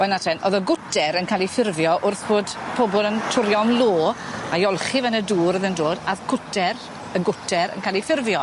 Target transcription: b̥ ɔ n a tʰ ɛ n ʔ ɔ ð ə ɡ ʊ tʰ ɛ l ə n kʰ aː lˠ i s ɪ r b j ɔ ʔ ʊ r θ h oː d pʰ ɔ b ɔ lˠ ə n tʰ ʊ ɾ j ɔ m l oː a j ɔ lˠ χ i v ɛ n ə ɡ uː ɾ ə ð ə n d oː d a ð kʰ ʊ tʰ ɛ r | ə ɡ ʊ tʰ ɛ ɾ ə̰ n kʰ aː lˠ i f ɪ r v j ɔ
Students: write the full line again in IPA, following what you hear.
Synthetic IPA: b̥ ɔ n a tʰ ɛ n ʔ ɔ ð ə ɡ ʊ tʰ ɛ ɾ ə n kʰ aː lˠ i f ɪ r v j ɔ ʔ ʊ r θ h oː d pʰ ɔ b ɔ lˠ ə n tʰ ʊ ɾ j ɔ m l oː a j ɔ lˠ χ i v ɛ n ə d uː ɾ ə ð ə n d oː d a ð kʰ ʊ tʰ ɛ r | ə ɡ ʊ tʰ ɛ ɾ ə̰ n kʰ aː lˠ i f ɪ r v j ɔ